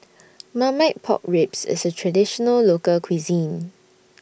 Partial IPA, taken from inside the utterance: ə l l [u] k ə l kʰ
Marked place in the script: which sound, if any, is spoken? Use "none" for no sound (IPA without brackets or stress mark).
o